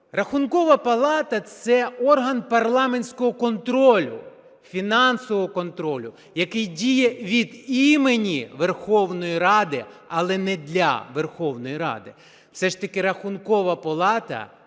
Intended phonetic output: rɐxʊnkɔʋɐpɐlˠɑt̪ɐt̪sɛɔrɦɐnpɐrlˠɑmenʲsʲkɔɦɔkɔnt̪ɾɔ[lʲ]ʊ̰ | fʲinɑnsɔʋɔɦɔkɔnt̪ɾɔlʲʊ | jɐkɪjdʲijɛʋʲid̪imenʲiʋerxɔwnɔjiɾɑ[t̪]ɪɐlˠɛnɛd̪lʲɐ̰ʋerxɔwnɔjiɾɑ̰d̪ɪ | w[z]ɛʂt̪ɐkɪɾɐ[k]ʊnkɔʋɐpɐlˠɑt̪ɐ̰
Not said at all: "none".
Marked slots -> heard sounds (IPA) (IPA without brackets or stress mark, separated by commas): lʲ, d̪, s, x